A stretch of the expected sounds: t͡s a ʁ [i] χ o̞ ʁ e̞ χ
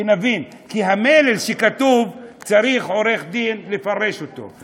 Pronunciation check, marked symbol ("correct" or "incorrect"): correct